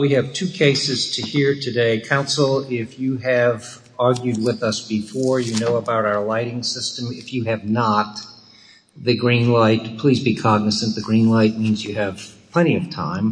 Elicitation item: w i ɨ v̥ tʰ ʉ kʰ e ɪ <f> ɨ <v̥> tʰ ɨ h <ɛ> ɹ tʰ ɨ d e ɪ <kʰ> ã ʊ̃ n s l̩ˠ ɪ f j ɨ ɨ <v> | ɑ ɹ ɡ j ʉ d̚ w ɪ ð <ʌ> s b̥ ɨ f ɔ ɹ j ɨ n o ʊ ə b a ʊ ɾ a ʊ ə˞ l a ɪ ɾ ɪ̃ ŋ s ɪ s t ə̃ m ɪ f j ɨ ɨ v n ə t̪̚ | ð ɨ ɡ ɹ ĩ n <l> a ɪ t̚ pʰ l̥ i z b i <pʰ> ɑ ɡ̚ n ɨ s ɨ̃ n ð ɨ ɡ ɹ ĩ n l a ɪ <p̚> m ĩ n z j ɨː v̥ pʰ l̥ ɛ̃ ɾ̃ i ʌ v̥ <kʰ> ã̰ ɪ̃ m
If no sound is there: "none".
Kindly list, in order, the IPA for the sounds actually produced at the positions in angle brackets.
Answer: s, z̥, i, kʰ, v, ʌ, l, kʰ, t̚, tʰ

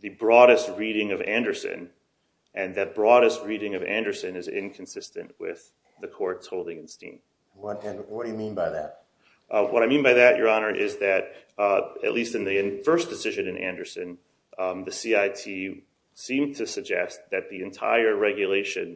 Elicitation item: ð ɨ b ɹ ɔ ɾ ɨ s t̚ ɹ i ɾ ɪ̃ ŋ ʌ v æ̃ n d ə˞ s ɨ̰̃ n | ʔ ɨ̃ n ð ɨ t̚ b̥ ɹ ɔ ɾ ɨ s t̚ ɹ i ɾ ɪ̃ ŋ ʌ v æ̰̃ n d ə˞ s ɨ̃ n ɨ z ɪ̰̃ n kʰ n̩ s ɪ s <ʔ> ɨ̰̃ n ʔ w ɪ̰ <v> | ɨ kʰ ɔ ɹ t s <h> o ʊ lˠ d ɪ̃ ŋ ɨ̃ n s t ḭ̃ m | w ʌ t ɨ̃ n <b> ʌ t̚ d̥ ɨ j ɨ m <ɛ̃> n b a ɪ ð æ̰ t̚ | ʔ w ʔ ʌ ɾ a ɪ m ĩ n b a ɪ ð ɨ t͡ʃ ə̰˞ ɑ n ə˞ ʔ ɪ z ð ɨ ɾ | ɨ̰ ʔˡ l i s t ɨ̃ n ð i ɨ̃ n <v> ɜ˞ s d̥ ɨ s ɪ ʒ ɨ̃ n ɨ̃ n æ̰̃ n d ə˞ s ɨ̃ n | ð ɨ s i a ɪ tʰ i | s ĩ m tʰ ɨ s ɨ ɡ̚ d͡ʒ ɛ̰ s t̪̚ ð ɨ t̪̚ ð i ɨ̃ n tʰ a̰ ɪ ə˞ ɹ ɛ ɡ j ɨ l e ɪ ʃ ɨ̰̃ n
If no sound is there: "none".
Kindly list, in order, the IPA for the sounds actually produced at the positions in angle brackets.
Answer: t, ð, h, w, ĩ, f

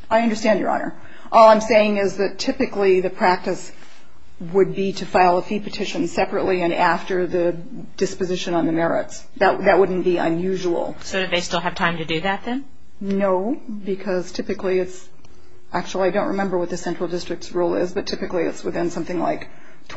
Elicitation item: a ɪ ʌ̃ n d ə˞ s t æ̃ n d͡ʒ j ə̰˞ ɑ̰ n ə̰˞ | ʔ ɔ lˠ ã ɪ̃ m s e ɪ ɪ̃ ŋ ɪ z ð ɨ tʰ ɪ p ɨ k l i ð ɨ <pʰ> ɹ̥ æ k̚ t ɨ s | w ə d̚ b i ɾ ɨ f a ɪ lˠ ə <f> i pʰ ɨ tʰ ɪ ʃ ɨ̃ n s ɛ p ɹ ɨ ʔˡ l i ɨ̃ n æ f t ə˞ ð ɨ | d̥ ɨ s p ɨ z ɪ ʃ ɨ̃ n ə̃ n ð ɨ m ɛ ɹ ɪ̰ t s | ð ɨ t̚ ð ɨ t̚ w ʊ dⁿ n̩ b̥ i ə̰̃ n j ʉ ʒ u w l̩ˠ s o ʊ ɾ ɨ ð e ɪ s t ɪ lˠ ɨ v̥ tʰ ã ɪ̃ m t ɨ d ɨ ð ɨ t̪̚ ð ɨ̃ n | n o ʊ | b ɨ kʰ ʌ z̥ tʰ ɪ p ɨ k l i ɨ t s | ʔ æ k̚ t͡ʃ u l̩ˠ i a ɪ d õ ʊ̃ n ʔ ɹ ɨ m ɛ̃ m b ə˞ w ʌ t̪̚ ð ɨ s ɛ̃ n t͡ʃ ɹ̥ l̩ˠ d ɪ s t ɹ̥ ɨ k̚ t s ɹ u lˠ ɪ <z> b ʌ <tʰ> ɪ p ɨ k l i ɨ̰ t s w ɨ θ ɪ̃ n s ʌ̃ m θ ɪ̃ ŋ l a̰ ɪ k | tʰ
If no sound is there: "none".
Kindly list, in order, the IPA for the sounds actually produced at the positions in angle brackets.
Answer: pʰ, f, z, tʰ

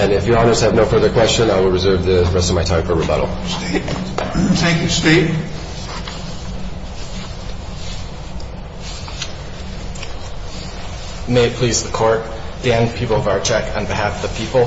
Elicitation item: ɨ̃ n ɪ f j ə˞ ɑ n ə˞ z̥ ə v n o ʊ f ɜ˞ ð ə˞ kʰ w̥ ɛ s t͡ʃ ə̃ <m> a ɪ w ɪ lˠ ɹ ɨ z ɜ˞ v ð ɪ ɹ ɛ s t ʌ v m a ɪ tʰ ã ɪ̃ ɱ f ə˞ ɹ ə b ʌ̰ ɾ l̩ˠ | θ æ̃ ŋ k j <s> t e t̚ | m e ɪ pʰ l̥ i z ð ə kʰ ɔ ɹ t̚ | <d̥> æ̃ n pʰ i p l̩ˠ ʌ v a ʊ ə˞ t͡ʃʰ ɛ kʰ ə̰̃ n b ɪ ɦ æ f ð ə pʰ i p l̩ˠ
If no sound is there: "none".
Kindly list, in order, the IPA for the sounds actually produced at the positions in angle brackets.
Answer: n, s, d̥

